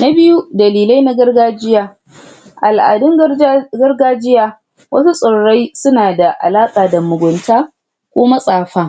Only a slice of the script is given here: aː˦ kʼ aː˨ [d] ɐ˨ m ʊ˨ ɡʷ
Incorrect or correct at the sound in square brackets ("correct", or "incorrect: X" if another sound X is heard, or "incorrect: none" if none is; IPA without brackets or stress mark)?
correct